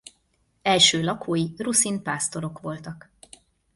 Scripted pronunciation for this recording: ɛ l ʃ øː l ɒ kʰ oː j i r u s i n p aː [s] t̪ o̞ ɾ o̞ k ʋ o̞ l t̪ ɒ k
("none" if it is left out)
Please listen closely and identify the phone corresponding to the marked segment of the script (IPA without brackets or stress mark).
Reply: s